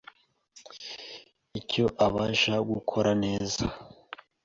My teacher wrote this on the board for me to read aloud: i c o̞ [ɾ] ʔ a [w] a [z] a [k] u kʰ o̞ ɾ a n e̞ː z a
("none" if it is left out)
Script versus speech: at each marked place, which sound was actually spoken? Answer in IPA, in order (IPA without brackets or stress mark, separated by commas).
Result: none, β, ʒ, ɡ